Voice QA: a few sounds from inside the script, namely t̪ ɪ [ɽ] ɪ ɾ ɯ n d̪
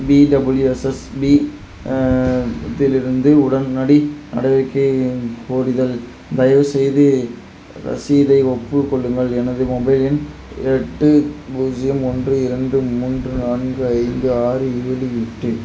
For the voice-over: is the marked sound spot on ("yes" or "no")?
no